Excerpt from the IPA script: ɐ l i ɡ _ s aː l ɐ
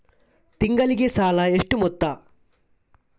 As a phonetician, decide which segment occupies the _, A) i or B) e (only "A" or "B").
B